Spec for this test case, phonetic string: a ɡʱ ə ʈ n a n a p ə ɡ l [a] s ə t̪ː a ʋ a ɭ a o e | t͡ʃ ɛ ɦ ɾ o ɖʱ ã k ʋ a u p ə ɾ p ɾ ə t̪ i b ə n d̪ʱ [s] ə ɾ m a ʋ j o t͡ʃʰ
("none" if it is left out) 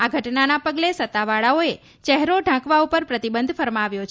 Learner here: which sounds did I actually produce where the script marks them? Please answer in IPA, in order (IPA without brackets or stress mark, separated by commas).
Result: e, f